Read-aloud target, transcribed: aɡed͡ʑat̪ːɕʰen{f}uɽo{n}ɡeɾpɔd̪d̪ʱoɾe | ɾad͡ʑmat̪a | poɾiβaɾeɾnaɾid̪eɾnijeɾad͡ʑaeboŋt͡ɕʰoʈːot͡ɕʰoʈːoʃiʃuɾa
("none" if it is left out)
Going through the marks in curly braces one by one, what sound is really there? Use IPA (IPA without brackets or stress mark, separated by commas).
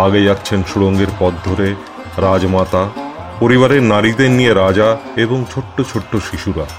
ʃ, ŋ